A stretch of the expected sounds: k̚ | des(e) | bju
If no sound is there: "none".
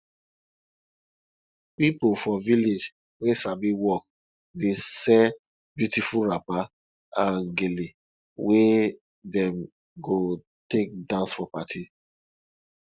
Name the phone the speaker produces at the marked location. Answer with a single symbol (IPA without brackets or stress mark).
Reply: ɛ